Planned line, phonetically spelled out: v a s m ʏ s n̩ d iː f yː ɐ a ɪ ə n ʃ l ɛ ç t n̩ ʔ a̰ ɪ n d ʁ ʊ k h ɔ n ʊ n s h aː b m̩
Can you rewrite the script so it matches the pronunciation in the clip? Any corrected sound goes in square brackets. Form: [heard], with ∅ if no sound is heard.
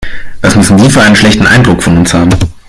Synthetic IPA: v a s m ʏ s n̩ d iː f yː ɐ a ɪ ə n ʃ l ɛ ç t n̩ ʔ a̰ ɪ n d ʁ ʊ k [f] ɔ n ʊ n s h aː b m̩